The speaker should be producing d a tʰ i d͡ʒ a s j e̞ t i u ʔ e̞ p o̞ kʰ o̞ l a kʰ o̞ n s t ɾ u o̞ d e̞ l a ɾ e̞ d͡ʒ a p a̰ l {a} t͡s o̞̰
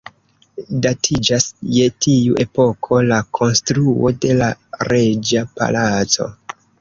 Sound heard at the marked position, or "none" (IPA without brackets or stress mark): a